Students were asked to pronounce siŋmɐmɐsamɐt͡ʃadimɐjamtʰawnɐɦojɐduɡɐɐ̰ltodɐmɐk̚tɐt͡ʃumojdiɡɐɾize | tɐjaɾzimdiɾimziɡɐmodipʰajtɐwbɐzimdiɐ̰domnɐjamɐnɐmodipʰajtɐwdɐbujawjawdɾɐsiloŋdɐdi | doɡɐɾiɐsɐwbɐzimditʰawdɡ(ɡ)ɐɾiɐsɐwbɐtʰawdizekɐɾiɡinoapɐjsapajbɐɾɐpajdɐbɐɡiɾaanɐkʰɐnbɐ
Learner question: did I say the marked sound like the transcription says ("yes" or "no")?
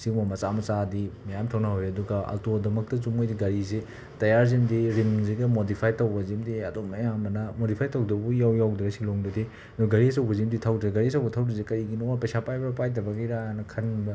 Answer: yes